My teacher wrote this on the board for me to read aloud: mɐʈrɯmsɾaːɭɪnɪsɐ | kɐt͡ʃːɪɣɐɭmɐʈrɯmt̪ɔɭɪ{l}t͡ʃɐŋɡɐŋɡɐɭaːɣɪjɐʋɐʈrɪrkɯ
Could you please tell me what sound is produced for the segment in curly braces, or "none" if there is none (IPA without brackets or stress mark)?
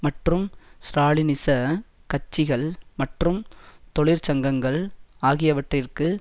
ɾ